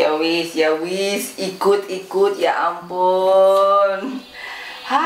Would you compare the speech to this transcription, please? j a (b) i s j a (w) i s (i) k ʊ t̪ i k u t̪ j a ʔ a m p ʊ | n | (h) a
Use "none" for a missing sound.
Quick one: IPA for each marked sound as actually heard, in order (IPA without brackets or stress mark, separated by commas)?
w, w, i, h